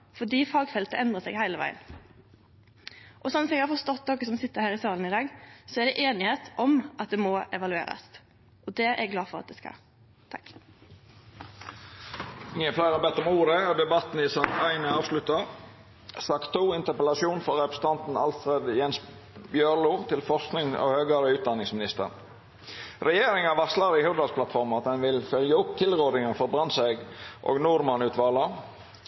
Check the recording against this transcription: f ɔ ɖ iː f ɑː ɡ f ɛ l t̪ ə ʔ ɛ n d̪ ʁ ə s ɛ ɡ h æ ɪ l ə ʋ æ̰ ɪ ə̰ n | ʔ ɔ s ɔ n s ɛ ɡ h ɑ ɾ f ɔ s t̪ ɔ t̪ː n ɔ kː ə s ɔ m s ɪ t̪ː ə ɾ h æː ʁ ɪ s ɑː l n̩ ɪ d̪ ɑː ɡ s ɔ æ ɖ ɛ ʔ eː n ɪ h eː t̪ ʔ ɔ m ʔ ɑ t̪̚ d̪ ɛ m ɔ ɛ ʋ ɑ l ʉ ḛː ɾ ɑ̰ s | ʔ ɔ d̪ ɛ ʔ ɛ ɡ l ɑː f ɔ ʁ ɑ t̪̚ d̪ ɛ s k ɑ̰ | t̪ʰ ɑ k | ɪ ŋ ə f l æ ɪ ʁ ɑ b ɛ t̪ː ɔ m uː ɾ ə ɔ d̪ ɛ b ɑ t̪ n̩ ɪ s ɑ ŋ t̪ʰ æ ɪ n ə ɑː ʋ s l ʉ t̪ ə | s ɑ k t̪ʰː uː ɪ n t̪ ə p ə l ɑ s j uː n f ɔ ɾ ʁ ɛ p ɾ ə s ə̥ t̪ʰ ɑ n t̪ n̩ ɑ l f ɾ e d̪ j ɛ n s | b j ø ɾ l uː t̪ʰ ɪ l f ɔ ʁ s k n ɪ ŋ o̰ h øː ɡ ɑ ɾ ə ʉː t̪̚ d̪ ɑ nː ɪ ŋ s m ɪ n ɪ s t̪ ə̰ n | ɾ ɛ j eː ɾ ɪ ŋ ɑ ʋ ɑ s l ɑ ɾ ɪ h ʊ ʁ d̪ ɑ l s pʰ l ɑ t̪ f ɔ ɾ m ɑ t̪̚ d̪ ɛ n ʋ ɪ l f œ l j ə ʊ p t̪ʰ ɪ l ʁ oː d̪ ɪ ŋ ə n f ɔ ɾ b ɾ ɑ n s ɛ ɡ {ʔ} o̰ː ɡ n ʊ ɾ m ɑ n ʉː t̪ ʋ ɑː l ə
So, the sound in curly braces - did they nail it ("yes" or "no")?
yes